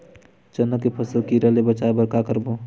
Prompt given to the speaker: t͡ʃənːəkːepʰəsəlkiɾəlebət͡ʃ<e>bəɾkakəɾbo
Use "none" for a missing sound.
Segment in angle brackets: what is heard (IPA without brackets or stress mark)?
a